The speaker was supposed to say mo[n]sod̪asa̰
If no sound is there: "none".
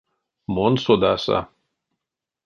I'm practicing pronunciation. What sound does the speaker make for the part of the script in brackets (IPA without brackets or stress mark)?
n